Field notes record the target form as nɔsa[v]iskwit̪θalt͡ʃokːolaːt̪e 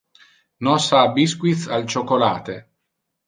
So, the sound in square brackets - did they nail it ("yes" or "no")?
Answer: no